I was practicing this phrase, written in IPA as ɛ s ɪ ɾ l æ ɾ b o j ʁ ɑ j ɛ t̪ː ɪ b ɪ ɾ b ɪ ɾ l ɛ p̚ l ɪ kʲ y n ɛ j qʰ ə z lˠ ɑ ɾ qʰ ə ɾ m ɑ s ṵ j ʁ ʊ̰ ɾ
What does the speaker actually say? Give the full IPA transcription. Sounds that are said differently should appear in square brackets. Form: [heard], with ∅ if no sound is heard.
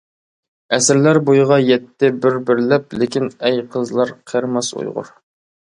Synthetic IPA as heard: ɛ s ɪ ɾ l æ ɾ b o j ʁ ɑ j ɛ t̪ː ɪ b ɪ ɾ b ɪ ɾ l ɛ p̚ l ɪ kʲ [i] n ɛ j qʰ ə z lˠ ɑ ɾ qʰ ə ɾ m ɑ s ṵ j ʁ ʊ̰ ɾ